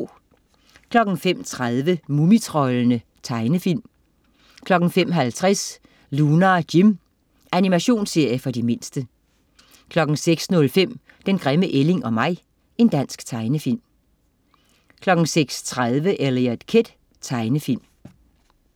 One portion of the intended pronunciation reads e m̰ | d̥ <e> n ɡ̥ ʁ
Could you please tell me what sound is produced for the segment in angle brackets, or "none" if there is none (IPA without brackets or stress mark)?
e